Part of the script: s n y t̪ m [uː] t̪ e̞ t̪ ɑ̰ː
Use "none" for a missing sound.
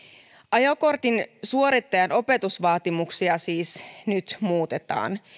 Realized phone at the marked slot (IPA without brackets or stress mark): uː